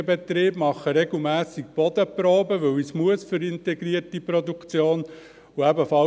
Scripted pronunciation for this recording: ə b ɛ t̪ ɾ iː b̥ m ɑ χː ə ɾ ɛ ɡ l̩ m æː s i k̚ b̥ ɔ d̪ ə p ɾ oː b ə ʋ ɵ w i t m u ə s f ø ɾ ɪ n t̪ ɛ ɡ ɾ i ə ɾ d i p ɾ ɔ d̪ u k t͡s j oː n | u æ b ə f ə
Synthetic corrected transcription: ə b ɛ t̪ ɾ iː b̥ m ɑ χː ə ɾ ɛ ɡ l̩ m æː s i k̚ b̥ ɔ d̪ ə p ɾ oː b ə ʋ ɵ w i s m u ə s f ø ɾ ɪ n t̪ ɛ ɡ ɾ i ə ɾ t i p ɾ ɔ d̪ u k t͡s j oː n | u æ b ə f ɑ